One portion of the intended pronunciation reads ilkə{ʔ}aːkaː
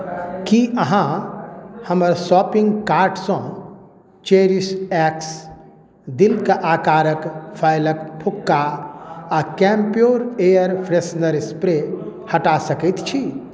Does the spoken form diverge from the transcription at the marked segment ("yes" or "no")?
no